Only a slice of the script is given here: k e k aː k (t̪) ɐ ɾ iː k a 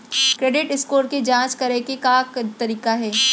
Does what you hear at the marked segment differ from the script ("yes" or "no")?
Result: no